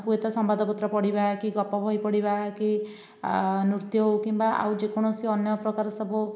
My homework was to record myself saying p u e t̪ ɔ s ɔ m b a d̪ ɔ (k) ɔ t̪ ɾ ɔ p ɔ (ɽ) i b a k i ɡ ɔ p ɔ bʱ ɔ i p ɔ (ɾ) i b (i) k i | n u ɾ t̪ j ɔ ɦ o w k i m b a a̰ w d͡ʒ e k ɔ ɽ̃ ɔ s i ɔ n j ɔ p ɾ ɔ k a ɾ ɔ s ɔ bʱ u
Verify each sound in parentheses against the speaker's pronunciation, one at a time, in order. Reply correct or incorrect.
incorrect, correct, incorrect, incorrect

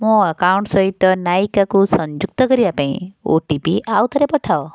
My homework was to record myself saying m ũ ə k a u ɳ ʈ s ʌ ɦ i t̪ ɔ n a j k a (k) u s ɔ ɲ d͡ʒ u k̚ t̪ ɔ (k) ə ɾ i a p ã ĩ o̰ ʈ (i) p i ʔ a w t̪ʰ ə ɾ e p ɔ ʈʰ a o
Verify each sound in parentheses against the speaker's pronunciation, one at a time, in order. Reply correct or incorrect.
correct, correct, correct

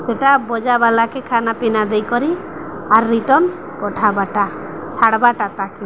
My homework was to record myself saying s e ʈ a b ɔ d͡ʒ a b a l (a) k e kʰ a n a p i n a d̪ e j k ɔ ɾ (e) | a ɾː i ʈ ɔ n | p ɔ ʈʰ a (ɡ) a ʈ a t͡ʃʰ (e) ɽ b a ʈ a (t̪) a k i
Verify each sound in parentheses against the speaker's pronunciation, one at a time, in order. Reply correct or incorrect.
correct, incorrect, incorrect, incorrect, correct

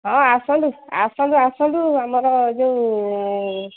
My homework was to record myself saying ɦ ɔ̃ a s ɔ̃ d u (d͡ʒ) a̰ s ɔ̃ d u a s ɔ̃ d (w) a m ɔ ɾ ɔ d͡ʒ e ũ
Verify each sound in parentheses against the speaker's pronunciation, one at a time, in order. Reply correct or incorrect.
incorrect, incorrect

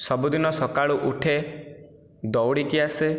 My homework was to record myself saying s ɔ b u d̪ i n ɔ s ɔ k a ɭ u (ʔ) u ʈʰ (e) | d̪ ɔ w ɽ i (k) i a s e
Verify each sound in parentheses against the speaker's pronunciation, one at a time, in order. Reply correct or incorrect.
correct, correct, correct

